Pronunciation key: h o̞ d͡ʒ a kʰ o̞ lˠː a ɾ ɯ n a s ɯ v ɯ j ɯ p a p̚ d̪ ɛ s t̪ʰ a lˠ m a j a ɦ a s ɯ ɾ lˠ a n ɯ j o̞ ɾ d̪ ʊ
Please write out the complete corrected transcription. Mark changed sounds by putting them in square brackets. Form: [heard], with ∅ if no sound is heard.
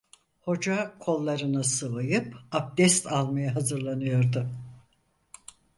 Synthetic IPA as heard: h o̞ d͡ʒ a kʰ o̞ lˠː a ɾ ɯ n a s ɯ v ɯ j ɯ p a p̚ d̪ ɛ s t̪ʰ a lˠ m a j a ɦ a [z] ɯ ɾ lˠ a n ɯ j o̞ ɾ d̪ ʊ